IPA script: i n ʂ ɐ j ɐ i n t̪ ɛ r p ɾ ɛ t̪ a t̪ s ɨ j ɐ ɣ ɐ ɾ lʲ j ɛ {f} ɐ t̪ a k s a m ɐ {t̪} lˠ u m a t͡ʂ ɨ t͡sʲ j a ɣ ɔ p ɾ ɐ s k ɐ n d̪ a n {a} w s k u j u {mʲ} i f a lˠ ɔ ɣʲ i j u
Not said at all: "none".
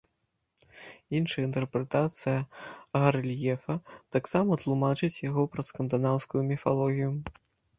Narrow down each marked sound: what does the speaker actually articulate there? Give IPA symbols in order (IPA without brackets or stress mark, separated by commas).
f, t̪, a, mʲ